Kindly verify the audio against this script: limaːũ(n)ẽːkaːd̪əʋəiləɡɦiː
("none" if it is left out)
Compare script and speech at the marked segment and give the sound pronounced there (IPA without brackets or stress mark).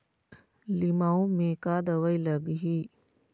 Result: m